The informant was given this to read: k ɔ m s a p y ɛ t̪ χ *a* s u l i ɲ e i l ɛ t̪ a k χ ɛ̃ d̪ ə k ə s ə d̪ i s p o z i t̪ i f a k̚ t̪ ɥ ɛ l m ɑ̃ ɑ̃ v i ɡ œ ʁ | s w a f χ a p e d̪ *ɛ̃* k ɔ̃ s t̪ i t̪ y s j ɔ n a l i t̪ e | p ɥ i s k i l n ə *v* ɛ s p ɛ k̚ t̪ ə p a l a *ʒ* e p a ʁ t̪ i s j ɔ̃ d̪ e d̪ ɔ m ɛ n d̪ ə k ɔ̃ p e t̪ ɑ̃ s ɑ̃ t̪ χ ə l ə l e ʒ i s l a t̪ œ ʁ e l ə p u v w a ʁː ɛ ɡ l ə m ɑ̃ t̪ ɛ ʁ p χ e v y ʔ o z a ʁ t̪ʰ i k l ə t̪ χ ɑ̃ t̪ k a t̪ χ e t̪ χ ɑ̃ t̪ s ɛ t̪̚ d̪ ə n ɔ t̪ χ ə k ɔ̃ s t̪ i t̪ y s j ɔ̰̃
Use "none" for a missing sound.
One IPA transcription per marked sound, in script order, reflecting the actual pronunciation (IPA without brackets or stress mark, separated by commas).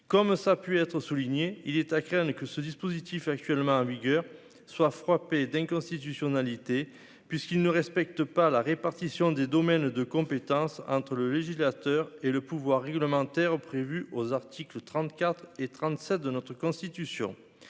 ə, ɛ̃, ʁ, ʁ